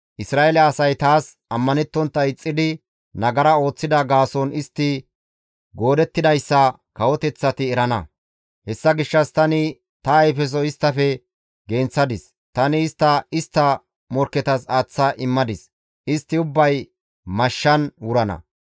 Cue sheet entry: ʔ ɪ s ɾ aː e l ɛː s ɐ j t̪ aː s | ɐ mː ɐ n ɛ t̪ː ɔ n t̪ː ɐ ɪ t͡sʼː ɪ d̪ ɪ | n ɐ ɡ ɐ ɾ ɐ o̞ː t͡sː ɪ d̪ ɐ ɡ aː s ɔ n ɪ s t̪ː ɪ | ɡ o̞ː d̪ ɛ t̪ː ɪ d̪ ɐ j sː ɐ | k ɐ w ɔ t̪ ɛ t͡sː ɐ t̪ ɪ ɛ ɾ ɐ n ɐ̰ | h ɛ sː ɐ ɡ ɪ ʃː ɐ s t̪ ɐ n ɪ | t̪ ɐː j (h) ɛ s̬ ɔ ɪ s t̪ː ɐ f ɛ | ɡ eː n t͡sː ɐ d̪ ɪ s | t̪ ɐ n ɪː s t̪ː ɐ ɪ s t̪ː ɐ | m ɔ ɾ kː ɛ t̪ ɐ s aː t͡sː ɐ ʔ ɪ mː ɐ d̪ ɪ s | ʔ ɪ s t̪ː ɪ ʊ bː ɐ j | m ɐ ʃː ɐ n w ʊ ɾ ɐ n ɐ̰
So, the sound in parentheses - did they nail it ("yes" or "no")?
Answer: no